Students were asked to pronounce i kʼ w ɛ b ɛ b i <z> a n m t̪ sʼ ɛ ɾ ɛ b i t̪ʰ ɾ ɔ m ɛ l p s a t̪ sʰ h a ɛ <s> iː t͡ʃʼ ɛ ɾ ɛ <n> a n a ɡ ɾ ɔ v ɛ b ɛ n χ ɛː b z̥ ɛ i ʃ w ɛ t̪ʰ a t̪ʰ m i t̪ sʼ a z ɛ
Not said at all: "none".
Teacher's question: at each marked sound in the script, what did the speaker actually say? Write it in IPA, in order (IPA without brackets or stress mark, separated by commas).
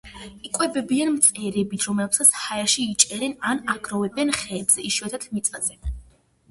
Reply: none, ʃ, n